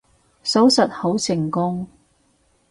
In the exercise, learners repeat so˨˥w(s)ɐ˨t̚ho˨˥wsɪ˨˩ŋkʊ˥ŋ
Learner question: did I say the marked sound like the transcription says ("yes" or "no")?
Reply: yes